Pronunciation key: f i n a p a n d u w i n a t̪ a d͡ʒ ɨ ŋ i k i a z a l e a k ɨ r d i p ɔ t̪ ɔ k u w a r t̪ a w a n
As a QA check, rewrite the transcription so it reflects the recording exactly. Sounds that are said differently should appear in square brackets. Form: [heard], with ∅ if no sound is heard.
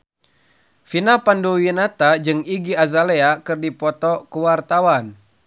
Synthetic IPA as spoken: f i n a p a n d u w i n a t̪ a d͡ʒ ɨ ŋ i [ɡ] i a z a l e a k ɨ r d i p ɔ t̪ ɔ k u w a r t̪ a w a n